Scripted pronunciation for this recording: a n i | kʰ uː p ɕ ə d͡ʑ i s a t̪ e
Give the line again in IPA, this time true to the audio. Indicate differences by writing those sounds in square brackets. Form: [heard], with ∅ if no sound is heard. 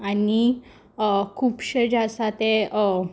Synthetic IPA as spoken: a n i | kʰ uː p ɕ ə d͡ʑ [a] s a t̪ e